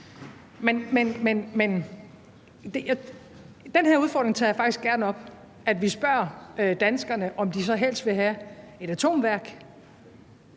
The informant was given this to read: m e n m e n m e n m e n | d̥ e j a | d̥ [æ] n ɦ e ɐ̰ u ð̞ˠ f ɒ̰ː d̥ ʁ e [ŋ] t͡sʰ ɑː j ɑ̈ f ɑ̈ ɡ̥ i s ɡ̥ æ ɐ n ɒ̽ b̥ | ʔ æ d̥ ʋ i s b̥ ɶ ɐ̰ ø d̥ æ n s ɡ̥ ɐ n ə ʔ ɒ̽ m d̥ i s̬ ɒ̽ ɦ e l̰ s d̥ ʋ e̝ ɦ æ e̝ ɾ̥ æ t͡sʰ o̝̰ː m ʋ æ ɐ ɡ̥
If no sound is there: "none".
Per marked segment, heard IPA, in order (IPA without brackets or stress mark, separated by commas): e, ŋ